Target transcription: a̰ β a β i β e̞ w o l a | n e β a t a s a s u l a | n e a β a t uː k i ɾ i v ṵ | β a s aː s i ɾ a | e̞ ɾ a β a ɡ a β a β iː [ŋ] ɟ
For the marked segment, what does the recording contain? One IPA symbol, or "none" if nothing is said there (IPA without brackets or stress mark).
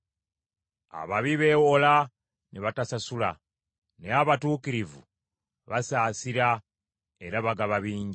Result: ɲ